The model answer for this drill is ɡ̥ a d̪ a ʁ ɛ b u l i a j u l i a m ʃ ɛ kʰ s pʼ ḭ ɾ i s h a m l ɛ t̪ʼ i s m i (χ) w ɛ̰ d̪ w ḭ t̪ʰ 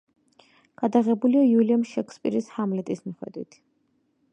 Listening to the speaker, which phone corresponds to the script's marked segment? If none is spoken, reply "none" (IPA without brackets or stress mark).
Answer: χ